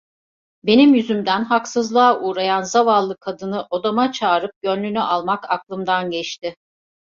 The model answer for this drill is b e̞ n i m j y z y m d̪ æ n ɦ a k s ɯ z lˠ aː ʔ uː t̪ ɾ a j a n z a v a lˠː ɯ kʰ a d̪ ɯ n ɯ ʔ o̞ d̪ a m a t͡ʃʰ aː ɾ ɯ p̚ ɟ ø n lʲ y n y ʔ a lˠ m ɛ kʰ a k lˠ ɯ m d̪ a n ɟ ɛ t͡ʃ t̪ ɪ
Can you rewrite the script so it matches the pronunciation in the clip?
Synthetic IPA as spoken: b e̞ n i m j y z y m d̪ æ n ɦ a k s ɯ z lˠ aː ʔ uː ɾ a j a n z a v a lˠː ɯ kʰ a d̪ ɯ n ɯ ʔ o̞ d̪ a m a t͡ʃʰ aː ɾ ɯ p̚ ɟ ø n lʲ y n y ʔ a lˠ m a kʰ a k lˠ ɯ m d̪ a n ɟ ɛ t͡ʃ t̪ ɪ